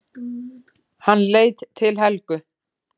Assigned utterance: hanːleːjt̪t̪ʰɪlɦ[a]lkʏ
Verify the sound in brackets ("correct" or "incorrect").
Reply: incorrect